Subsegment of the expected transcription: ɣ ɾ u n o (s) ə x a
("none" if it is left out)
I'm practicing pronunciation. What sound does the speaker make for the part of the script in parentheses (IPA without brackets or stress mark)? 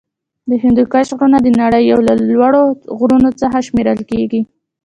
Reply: t͡s